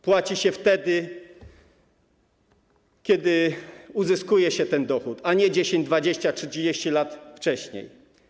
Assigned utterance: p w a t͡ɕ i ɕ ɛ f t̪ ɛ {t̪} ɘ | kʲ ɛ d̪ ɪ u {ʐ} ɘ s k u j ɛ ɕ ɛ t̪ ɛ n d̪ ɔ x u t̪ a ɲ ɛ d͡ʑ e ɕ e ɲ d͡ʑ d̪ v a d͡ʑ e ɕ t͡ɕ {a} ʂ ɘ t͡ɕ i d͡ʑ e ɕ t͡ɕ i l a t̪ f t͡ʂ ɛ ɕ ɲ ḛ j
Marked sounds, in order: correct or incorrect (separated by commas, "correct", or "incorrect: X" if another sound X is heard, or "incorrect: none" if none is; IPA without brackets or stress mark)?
incorrect: d̪, incorrect: z, correct